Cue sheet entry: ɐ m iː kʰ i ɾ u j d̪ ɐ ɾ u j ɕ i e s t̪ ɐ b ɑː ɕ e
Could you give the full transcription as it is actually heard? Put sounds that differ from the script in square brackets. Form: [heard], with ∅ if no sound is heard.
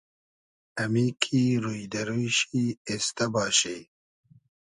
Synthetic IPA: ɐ m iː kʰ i ɾ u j d̪ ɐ ɾ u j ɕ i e s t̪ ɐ b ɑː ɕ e